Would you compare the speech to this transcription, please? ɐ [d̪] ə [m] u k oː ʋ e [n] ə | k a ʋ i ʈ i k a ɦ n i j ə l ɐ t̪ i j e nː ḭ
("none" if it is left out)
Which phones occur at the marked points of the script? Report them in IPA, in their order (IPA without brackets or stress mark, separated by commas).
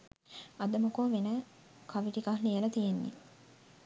d̪, m, n